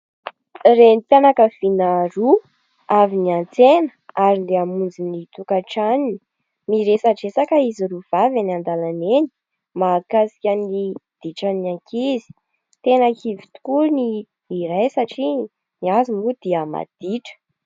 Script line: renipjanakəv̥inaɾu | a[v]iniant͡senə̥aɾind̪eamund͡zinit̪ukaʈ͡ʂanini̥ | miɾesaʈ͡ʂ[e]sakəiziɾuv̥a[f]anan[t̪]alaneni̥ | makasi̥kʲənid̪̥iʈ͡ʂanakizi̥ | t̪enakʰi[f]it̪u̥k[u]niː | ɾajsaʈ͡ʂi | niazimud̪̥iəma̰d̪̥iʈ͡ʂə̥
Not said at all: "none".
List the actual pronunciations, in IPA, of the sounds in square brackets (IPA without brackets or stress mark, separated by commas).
v, e, v, d̪, v, u